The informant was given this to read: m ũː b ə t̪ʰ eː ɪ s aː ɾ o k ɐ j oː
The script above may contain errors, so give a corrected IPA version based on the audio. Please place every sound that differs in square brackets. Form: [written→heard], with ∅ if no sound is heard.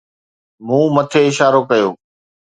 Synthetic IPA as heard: m ũː [b→m] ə t̪ʰ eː ɪ [s→ʃ] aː ɾ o k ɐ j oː